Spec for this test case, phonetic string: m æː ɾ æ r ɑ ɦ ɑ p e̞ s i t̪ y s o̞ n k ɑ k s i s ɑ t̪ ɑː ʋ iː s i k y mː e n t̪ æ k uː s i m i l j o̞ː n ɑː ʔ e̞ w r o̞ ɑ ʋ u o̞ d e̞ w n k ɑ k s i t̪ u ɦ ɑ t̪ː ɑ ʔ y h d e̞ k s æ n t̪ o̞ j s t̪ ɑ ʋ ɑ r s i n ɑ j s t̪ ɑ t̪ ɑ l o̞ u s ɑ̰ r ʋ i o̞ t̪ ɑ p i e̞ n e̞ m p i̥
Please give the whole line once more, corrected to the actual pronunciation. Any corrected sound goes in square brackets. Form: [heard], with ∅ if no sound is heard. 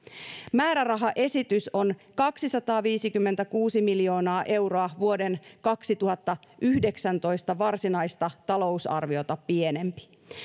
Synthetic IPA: m æː ɾ æ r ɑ ɦ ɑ [ʔ] e̞ s i t̪ y s o̞ n k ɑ k s i s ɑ t̪ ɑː ʋ iː s i k y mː e n t̪ æ k uː s i m i l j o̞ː n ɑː ʔ e̞ w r o̞ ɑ ʋ u o̞ d e̞ [∅] n k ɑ k s i t̪ u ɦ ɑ t̪ː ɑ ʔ y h d e̞ k s æ n t̪ o̞ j s t̪ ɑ ʋ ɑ r s i n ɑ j s t̪ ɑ t̪ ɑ l o̞ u s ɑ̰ r ʋ i o̞ t̪ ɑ p i e̞ n e̞ m p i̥